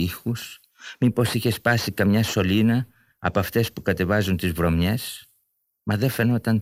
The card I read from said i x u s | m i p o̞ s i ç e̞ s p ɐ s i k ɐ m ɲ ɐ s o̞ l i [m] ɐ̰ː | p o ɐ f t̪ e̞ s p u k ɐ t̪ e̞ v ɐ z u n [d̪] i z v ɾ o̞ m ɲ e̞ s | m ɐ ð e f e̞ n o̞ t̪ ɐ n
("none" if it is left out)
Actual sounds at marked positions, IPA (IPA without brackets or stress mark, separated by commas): n, t̪